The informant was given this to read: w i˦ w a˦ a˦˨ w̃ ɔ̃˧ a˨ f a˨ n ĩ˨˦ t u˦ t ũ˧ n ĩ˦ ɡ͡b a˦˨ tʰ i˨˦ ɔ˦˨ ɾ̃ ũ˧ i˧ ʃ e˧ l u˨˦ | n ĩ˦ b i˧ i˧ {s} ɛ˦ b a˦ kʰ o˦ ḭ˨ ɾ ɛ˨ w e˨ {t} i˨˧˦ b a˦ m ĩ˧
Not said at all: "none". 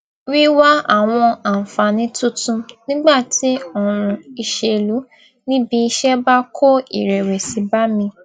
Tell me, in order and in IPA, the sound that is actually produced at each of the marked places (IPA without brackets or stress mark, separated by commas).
ʃ, s